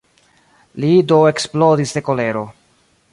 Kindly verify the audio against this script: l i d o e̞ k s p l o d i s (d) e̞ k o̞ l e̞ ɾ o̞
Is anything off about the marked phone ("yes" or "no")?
no